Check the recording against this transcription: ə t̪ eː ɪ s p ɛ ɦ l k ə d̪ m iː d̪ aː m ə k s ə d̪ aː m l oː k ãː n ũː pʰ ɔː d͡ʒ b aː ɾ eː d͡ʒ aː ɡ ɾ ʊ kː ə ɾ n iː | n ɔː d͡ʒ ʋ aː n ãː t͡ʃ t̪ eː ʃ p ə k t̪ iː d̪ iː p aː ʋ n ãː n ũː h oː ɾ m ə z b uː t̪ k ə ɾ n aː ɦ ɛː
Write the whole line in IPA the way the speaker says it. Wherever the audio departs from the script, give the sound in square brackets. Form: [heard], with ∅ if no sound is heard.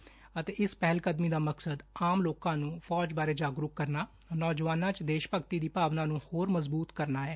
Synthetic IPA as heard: ə t̪ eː ɪ s p ɛ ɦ l k ə d̪ m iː d̪ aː m ə k s ə d̪ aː m l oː k ãː n ũː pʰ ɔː d͡ʒ b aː ɾ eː d͡ʒ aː ɡ ɾ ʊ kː ə ɾ n [aː] | n ɔː d͡ʒ ʋ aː n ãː t͡ʃ [d̪] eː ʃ p ə k t̪ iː d̪ iː p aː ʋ n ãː n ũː h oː ɾ m ə z b uː t̪ k ə ɾ n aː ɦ ɛː

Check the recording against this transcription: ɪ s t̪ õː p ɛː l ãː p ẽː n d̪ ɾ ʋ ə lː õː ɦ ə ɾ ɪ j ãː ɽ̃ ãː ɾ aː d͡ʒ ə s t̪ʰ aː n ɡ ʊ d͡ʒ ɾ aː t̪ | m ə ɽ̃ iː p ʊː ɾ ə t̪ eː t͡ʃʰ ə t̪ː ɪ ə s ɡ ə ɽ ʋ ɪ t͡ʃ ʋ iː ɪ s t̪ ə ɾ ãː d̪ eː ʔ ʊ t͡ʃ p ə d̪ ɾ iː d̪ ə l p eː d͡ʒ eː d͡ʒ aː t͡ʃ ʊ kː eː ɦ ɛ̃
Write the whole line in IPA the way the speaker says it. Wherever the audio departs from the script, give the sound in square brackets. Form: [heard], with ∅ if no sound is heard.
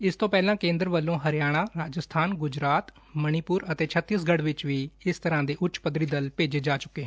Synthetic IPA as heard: ɪ s t̪ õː p ɛː l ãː [k] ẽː n d̪ ɾ ʋ ə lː õː ɦ ə ɾ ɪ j [aː] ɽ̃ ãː ɾ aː d͡ʒ ə s t̪ʰ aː n ɡ ʊ d͡ʒ ɾ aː t̪ | m ə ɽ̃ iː p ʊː ɾ ə t̪ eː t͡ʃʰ ə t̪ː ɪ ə s ɡ ə ɽ ʋ ɪ t͡ʃ ʋ iː ɪ s t̪ ə ɾ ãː d̪ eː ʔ ʊ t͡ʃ p ə d̪ ɾ iː d̪ ə l p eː d͡ʒ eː d͡ʒ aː t͡ʃ ʊ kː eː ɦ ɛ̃

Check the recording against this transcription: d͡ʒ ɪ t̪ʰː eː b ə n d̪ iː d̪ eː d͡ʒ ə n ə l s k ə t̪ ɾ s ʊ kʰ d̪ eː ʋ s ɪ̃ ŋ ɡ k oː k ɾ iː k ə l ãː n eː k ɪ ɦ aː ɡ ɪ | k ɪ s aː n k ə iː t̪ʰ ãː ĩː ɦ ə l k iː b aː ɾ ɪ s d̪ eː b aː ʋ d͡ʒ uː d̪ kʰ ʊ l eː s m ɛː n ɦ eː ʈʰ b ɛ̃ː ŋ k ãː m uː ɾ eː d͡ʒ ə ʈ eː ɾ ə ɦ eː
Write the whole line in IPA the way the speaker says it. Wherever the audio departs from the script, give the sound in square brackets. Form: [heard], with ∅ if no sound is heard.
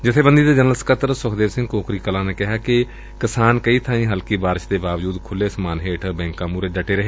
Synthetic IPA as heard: d͡ʒ ɪ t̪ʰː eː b ə n d̪ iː d̪ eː d͡ʒ ə n ə l s k ə t̪ ɾ s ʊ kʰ d̪ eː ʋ s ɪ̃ ŋ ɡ k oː k ɾ iː k ə l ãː n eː k ɪ ɦ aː [k] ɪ | k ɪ s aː n k ə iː t̪ʰ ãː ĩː ɦ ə l k iː b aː ɾ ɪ [ʃ] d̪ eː b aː ʋ d͡ʒ uː d̪ kʰ ʊ l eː s m [aː] n ɦ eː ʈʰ b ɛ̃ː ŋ k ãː m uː ɾ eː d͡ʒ ə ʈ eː ɾ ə ɦ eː

